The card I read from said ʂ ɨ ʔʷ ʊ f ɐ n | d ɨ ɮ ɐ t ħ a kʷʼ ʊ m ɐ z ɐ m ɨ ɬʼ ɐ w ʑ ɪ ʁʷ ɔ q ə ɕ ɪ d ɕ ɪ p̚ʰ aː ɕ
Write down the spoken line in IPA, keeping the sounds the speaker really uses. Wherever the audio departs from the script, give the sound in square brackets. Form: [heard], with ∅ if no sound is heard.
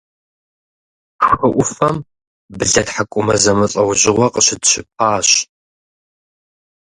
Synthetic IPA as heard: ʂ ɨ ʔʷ ʊ f ɐ [m] | [b] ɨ ɮ ɐ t ħ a kʷʼ ʊ m ɐ z ɐ m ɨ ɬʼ ɐ w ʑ ɪ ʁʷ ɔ q ə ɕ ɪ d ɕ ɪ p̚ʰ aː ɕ